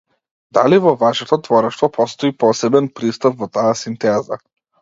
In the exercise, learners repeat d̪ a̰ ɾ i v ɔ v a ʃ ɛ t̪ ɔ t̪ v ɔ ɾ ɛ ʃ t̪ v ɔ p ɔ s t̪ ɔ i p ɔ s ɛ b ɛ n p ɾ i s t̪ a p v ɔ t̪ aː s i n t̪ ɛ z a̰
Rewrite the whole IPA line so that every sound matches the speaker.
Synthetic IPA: d̪ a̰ l i v ɔ v a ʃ ɛ t̪ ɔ t̪ v ɔ ɾ ɛ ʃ t̪ v ɔ p ɔ s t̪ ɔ i p ɔ s ɛ b ɛ n p ɾ i s t̪ a p v ɔ t̪ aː s i n t̪ ɛ z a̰